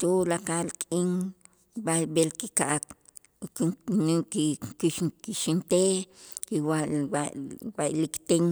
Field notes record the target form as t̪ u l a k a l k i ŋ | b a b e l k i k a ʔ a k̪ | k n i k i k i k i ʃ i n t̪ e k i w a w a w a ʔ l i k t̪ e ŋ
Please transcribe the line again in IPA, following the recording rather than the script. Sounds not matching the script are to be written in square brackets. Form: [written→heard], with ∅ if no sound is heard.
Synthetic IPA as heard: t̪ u l a k a l [k→kʼ] i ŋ | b a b e l k i k a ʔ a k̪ | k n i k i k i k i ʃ i n t̪ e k i w a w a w a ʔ l i k t̪ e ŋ